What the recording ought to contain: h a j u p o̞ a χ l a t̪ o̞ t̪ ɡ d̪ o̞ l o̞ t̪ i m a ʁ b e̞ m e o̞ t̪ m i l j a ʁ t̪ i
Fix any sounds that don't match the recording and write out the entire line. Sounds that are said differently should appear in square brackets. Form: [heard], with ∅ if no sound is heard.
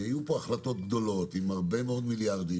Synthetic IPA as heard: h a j u p o̞ a χ l a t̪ o̞ t̪ ɡ d̪ o̞ l o̞ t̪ i m a ʁ b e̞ m e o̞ [d̪] m i l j a ʁ [d̪] i